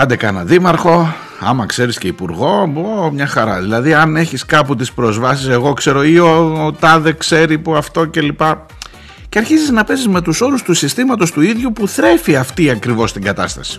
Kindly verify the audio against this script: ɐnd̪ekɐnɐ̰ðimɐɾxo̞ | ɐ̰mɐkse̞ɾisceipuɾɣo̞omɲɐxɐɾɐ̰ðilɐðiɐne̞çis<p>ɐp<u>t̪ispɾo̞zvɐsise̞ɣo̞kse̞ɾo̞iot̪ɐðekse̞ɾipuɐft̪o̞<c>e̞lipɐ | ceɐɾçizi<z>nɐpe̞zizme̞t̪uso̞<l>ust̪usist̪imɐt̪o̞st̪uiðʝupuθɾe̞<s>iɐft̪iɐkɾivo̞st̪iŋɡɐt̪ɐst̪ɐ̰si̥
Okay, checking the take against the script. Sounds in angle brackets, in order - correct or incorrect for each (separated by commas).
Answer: incorrect, correct, correct, correct, incorrect, incorrect